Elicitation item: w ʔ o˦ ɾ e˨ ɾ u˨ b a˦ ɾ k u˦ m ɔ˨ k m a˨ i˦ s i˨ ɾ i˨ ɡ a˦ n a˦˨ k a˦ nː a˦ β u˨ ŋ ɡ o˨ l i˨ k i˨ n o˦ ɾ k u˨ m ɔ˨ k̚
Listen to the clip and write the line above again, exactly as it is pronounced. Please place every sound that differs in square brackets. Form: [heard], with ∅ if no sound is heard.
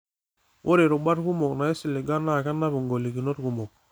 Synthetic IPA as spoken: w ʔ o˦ ɾ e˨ ɾ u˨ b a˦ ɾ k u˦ m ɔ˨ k [n] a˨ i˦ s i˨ [l] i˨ ɡ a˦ n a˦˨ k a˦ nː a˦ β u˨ ŋ ɡ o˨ l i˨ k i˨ n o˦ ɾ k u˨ m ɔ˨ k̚

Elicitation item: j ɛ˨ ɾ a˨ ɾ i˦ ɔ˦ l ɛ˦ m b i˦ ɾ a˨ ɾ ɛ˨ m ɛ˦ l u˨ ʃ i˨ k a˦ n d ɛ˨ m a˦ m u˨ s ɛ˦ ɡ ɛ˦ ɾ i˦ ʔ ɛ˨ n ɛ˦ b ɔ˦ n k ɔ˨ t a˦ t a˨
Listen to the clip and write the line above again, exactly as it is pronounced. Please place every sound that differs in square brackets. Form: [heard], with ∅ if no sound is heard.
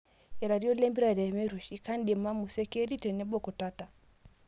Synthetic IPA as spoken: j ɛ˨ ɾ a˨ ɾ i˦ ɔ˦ l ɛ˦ m b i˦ ɾ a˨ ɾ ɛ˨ m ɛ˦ [ɾ] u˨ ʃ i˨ k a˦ n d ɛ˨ m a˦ m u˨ s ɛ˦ [k] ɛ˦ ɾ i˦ [t] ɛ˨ n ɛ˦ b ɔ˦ [∅] k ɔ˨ t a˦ t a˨

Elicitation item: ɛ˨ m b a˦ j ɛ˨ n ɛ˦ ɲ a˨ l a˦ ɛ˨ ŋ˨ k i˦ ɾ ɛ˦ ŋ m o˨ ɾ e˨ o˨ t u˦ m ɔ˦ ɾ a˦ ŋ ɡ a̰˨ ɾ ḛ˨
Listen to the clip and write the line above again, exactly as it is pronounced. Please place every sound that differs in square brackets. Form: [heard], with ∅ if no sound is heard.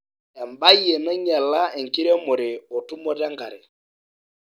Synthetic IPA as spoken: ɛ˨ m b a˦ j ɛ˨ [m] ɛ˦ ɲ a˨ l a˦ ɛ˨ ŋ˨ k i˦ ɾ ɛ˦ [∅] m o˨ ɾ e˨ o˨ t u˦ m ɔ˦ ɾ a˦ ŋ ɡ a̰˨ ɾ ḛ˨

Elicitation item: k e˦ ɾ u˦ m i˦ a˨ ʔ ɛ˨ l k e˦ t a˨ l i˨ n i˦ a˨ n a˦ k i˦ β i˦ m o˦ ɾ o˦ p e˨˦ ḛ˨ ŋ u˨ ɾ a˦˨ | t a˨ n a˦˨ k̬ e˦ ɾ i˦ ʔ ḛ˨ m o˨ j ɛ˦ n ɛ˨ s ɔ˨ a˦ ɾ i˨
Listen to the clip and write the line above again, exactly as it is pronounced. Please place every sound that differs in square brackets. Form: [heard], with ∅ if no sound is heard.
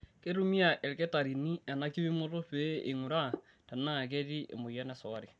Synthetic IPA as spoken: k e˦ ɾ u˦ m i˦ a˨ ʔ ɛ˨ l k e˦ t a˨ [ɾ] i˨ n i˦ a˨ n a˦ k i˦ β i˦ m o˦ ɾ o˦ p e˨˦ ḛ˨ ŋ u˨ ɾ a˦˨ | t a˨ n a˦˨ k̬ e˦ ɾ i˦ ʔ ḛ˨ m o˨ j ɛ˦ n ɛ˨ s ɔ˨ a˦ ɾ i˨

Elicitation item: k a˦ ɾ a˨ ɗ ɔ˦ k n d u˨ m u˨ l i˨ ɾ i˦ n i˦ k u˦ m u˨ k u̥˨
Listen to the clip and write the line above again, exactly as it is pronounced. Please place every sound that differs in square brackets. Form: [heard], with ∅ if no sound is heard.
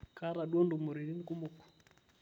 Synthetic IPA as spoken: k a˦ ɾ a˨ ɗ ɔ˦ [∅] n d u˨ m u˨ [ɾ] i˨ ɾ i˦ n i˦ k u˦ m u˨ k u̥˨

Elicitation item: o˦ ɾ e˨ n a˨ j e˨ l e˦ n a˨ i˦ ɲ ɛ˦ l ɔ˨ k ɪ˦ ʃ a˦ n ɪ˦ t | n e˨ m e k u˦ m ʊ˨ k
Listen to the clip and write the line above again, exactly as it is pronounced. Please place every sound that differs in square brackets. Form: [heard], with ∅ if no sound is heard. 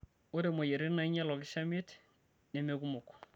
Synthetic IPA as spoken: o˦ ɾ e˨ [m] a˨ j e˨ [ɾ] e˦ n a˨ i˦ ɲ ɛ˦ l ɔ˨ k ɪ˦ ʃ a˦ [m] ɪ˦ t | n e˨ m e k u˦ m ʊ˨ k

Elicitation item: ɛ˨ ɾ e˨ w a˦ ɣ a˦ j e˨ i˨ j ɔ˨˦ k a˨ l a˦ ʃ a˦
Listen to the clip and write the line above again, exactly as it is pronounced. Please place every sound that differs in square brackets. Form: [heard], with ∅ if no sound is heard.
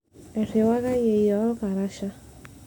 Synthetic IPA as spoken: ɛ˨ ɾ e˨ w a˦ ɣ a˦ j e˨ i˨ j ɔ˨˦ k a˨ [ɾ] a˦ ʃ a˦

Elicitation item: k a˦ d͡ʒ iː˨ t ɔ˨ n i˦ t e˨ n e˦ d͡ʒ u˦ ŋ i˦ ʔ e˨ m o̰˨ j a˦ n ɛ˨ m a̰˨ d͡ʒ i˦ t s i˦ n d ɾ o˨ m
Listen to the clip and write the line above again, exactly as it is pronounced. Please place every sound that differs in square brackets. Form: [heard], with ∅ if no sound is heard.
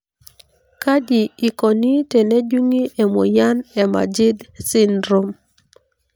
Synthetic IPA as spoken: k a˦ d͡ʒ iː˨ [k] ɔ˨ n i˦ t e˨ n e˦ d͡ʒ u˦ ŋ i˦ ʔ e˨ m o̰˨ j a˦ n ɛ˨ m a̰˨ d͡ʒ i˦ [d] s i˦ n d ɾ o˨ m

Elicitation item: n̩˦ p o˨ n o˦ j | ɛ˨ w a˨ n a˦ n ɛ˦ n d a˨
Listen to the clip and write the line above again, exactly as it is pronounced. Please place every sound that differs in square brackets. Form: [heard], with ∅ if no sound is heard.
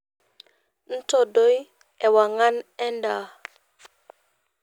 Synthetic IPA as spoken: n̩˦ [t] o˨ [d] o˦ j | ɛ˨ w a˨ [ŋ] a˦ n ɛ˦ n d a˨

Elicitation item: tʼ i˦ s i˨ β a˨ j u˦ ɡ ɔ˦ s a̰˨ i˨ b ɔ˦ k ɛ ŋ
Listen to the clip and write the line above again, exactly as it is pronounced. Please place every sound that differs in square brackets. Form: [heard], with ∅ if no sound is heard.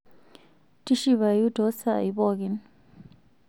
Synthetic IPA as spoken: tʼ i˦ [ʃ] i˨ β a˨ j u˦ [d] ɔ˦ s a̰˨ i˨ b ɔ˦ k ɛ [n]

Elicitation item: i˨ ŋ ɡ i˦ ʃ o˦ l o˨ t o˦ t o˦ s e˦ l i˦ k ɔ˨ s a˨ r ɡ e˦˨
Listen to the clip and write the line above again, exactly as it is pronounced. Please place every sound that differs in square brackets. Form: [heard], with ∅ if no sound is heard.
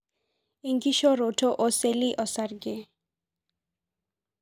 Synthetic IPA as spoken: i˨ ŋ ɡ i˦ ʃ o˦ [ɾ] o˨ t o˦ [ʔ] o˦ s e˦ l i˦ [ʔ] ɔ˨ s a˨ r ɡ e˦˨

